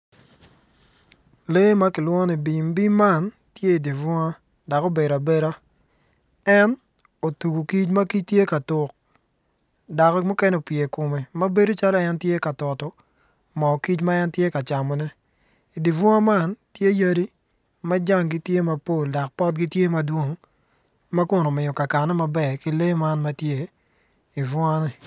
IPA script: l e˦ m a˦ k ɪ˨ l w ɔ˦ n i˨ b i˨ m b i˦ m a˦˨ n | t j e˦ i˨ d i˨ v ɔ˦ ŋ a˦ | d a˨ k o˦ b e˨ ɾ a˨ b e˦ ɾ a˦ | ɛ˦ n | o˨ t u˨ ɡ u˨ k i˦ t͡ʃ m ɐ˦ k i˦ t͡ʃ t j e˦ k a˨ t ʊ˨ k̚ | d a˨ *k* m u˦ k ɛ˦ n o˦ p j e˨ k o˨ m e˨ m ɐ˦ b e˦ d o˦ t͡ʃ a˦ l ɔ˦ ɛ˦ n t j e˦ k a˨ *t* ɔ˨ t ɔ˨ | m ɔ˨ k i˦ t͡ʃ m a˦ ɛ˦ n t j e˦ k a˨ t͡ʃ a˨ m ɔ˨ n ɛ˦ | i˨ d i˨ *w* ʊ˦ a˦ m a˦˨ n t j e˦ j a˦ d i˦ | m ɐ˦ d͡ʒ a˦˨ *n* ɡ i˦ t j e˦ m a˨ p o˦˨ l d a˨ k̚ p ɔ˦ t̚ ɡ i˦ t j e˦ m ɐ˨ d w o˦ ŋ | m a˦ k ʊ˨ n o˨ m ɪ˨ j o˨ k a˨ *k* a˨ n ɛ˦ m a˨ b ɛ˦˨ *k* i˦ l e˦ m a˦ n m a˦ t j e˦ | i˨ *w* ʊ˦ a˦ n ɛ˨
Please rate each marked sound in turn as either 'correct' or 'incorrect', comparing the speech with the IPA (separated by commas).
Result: correct, correct, incorrect, incorrect, correct, correct, incorrect